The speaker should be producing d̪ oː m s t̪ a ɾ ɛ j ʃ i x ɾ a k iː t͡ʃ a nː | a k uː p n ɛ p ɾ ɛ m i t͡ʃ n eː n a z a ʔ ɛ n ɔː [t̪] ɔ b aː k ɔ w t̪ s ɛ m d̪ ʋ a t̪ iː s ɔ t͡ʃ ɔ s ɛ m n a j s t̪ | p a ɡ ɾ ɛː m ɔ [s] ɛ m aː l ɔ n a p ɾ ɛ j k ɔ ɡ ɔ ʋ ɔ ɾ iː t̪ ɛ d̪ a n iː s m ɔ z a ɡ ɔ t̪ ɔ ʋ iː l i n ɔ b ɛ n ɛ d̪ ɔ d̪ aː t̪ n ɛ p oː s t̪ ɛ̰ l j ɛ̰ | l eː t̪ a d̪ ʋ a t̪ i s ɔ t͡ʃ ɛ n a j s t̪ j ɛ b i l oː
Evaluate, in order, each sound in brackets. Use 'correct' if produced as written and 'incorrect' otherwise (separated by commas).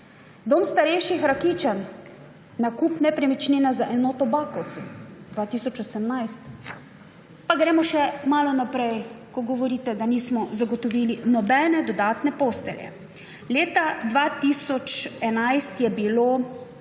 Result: correct, incorrect